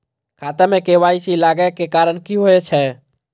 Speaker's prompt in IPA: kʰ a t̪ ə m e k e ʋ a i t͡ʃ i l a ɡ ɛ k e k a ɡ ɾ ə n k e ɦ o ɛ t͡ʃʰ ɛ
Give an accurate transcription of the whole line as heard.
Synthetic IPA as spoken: kʰ a t̪ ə m e k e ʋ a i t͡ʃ i l a ɡ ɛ k e k a ɾ ə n k i ɦ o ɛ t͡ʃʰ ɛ